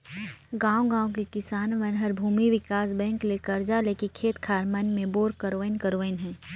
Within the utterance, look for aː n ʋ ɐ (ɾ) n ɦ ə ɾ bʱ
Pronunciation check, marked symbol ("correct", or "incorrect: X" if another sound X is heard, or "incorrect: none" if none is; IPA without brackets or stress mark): incorrect: none